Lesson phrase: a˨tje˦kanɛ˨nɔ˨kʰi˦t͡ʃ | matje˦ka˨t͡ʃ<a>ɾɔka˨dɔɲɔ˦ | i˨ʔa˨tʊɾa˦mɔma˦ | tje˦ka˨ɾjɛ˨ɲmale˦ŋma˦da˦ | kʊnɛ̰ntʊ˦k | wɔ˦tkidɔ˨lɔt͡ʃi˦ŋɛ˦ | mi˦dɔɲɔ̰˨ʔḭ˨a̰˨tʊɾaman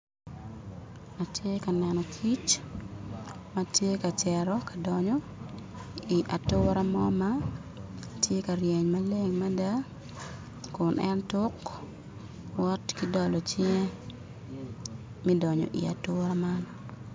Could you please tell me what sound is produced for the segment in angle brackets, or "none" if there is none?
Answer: ɛ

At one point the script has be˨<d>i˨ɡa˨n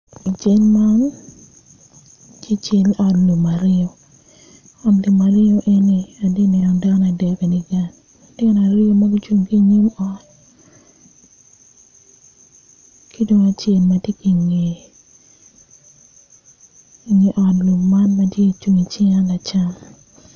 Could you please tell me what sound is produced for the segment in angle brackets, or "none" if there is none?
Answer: n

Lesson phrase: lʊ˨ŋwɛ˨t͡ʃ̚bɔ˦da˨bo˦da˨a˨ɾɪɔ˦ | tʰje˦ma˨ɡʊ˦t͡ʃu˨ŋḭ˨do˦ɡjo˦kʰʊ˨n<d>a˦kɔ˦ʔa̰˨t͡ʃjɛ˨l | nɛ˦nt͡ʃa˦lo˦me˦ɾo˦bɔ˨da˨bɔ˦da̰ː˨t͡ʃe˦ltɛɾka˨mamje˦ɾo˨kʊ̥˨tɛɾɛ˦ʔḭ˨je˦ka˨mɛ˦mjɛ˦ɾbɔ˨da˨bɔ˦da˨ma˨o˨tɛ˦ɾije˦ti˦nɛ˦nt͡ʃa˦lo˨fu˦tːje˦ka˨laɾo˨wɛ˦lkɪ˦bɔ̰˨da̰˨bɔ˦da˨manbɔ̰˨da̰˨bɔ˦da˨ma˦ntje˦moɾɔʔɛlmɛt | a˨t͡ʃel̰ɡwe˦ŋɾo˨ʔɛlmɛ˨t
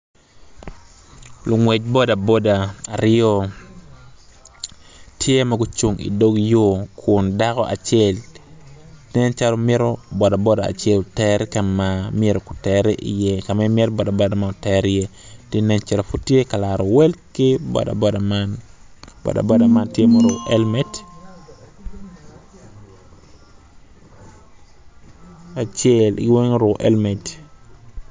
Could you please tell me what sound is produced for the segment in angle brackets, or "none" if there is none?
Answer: d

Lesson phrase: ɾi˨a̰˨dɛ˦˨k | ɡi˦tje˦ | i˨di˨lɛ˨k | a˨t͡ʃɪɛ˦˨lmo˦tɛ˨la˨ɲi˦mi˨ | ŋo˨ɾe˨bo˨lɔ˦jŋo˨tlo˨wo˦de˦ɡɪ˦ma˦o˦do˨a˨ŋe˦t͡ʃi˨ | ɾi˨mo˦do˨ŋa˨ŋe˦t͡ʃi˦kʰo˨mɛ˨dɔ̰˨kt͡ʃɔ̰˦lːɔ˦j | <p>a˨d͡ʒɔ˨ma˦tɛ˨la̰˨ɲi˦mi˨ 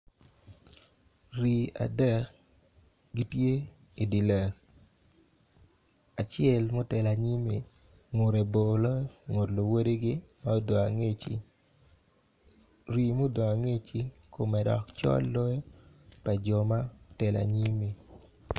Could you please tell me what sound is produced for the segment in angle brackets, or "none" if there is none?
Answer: p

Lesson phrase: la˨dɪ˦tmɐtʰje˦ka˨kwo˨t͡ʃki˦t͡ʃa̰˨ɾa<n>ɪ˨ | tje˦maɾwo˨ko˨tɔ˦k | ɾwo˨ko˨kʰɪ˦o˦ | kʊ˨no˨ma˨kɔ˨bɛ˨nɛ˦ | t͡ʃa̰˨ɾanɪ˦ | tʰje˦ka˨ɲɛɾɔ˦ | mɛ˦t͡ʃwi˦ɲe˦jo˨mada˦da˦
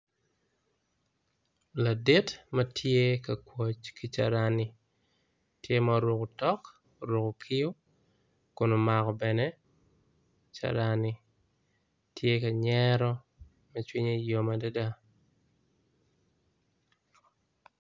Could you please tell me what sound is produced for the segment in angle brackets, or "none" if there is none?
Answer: n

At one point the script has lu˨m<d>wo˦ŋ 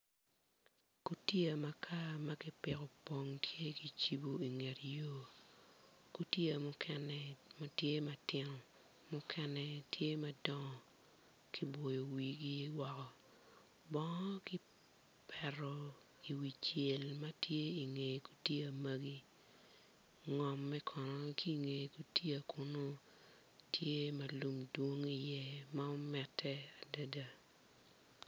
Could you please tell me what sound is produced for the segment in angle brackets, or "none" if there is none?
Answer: d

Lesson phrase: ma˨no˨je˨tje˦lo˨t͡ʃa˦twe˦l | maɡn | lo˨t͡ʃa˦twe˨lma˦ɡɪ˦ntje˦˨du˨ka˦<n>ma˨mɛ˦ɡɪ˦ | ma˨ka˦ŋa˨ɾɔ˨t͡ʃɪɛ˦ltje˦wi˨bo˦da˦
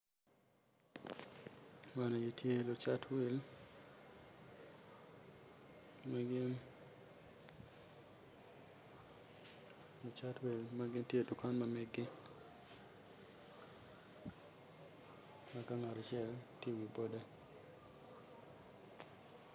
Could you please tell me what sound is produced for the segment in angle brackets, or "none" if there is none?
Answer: n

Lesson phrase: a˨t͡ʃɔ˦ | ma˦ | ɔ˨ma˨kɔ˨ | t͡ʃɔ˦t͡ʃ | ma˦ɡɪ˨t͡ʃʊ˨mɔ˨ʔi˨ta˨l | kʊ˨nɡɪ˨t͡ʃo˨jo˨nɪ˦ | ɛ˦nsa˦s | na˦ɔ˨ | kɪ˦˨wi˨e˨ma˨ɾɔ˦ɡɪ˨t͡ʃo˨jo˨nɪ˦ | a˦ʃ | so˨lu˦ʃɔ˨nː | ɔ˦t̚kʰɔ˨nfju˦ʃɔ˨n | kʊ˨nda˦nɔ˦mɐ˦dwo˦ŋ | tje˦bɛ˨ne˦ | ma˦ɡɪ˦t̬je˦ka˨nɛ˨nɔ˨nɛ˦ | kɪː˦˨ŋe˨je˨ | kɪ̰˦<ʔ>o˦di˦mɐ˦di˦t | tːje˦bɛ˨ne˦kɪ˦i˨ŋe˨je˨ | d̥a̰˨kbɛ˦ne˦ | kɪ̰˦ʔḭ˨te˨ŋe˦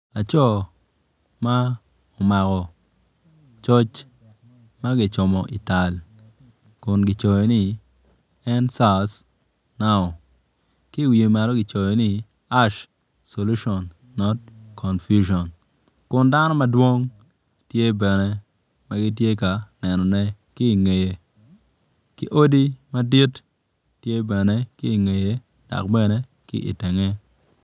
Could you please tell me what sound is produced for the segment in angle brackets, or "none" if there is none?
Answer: ʔ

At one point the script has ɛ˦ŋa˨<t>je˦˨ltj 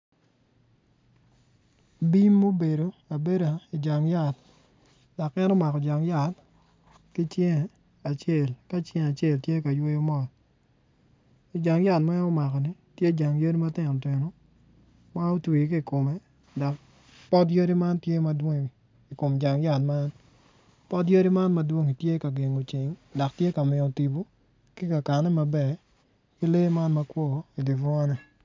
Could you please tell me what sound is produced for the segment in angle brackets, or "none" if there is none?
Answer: t͡ʃ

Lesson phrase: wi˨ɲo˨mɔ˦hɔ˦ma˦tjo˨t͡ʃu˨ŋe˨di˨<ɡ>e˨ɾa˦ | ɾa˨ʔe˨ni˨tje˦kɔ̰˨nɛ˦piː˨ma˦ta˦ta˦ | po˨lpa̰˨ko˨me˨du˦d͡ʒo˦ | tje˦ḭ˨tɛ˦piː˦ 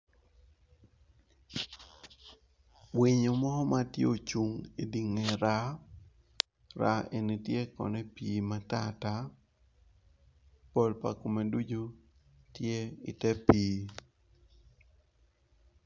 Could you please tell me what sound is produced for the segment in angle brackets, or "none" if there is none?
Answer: ŋ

